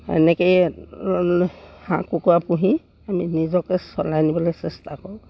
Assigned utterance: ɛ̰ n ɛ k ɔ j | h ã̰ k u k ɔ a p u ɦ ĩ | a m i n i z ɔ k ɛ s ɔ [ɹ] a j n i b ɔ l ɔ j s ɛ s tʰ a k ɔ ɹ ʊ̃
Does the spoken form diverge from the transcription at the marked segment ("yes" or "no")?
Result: yes